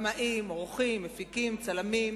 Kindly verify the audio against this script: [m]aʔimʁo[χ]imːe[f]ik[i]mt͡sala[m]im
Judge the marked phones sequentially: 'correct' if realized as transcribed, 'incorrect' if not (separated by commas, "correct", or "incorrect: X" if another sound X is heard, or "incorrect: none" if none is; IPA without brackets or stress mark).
correct, correct, correct, correct, correct